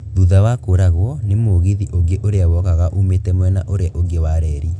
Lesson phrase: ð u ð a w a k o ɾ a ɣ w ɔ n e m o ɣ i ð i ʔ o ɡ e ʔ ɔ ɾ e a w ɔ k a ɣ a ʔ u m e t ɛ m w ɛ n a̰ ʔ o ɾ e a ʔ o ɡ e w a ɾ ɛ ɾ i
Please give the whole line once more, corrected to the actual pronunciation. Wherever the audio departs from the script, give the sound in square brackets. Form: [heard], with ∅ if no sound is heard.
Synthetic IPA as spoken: ð u ð a w a k o ɾ a ɣ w ɔ n e m o ɣ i ð i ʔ o ɡ e ʔ [o] ɾ e a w ɔ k a ɣ a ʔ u m e t ɛ m w ɛ n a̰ ʔ o ɾ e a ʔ o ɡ e w a ɾ ɛ ɾ i